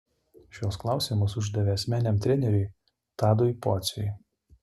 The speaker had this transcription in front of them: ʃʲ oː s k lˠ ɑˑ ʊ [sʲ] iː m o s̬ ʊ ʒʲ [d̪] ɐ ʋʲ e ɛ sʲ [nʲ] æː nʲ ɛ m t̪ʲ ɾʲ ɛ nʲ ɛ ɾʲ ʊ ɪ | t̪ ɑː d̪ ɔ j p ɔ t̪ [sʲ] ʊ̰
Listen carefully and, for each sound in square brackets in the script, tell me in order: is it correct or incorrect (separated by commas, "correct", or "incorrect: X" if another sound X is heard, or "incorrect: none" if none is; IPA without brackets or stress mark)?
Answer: correct, correct, incorrect: mʲ, correct